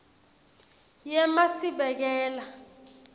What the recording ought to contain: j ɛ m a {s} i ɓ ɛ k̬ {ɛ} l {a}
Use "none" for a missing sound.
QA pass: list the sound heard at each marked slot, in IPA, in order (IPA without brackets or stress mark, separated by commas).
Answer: s, ɛː, a